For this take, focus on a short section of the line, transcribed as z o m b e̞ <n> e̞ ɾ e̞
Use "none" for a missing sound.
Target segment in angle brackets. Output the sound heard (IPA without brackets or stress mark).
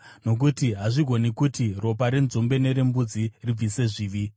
n